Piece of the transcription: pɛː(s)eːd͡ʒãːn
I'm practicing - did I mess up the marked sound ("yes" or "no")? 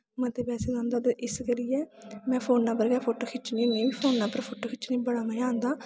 no